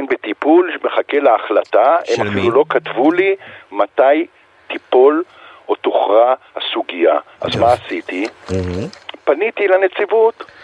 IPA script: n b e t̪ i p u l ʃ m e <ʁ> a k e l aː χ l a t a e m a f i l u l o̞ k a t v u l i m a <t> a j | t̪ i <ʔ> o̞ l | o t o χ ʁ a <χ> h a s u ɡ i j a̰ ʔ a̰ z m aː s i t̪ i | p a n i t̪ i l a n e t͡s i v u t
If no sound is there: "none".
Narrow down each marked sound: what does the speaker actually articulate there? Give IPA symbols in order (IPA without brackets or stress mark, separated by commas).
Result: χ, t, p, none